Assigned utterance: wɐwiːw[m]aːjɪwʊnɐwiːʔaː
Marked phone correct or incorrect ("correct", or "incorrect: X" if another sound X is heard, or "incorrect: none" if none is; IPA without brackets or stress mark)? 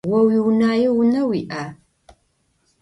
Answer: incorrect: n